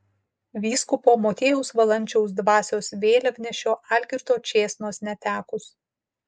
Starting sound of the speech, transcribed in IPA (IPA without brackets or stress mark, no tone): ʋʲ